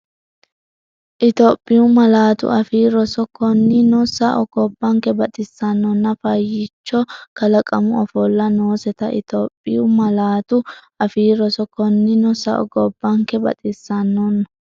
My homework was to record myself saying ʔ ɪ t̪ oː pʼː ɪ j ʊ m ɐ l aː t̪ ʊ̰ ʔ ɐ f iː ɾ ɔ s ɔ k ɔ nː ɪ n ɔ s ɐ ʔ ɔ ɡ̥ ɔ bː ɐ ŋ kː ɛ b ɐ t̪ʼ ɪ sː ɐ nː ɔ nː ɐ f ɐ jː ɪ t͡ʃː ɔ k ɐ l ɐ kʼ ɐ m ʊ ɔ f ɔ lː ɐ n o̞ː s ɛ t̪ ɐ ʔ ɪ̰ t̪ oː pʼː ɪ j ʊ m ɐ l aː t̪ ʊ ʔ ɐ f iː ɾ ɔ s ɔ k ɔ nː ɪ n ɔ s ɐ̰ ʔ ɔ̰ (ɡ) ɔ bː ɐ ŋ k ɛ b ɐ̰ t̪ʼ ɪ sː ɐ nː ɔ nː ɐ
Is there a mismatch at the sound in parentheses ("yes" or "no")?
no